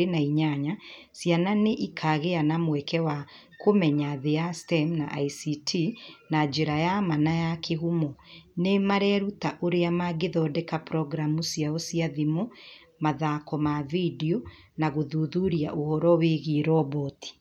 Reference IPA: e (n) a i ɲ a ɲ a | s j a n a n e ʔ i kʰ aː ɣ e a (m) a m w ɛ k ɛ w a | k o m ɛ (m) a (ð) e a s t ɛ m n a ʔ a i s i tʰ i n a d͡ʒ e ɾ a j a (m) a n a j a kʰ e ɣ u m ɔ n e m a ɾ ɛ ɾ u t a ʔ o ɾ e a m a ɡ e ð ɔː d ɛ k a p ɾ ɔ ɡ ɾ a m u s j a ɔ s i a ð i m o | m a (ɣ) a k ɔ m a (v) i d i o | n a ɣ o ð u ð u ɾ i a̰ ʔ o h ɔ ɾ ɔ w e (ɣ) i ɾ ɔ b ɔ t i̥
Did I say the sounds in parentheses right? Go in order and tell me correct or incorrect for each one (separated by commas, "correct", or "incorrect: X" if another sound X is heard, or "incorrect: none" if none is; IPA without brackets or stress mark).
correct, incorrect: n, incorrect: ɲ, correct, correct, incorrect: ð, correct, correct